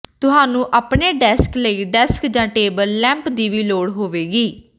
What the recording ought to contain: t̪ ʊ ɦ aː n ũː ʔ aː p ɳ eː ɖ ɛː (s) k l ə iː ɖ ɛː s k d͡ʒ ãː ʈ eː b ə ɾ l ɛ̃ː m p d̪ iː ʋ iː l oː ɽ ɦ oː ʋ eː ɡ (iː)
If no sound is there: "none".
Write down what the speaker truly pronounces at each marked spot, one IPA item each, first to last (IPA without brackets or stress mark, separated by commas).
s, iː